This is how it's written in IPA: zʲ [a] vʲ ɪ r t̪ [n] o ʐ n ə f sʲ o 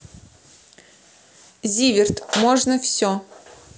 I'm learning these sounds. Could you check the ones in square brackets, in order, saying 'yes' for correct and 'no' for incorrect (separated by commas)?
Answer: no, no